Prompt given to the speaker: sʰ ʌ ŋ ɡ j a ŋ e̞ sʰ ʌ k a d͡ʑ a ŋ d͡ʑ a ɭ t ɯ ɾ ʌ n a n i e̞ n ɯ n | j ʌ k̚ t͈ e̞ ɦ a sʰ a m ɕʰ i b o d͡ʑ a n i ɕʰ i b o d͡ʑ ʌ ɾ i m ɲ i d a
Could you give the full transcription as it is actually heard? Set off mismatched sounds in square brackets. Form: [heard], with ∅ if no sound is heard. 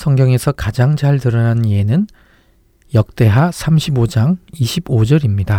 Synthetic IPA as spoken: sʰ ʌ ŋ ɡ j [ʌ] ŋ e̞ sʰ ʌ k a d͡ʑ a ŋ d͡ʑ a ɭ t ɯ ɾ ʌ n a n i e̞ n ɯ n | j ʌ k̚ t͈ e̞ ɦ a sʰ a m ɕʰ i b o d͡ʑ a [ŋ] i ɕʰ i b o d͡ʑ ʌ ɾ i m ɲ i d a